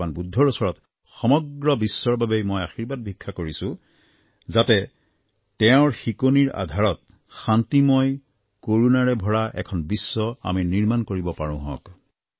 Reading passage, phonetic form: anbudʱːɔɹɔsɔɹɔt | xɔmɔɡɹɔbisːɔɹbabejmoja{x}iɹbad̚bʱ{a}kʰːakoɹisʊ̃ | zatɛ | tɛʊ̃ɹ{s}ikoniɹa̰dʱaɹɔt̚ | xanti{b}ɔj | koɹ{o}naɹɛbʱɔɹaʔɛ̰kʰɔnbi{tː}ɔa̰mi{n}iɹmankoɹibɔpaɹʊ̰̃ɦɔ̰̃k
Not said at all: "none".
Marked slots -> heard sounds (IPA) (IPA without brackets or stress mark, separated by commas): x, i, x, m, u, sː, n